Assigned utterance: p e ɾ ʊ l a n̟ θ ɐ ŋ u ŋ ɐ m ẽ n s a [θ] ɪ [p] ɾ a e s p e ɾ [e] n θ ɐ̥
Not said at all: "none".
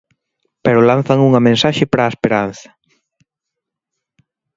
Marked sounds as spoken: ʃ, p, a

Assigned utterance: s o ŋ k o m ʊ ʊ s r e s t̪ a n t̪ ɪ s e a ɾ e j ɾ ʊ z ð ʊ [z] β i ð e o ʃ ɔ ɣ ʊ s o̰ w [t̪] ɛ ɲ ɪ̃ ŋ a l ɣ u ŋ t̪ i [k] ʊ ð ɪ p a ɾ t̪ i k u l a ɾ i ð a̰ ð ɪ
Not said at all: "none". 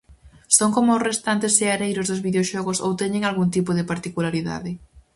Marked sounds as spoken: z, t̪, p

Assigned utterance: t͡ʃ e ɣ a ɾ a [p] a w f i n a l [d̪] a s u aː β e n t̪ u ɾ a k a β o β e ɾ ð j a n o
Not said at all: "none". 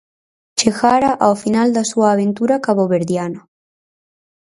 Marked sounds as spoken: ʔ, d̪

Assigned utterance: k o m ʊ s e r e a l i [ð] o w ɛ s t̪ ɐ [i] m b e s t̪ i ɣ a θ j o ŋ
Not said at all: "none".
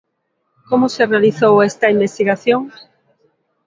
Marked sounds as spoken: θ, i

